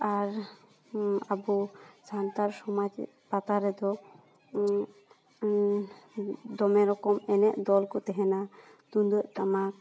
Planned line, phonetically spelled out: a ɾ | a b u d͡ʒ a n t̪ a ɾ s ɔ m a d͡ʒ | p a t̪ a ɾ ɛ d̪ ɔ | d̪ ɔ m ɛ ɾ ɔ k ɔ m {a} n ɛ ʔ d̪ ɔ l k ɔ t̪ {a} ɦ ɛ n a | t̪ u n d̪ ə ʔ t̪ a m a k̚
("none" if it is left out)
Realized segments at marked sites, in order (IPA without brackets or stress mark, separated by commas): ɛ, ɛ